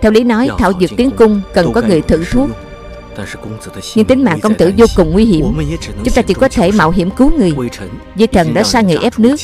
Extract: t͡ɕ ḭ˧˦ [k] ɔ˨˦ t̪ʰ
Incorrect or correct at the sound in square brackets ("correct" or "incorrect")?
correct